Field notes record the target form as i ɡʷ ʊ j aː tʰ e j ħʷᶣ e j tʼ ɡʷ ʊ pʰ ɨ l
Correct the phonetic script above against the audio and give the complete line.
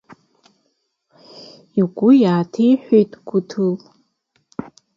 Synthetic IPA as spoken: i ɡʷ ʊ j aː tʰ e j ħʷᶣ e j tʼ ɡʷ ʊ tʰ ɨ l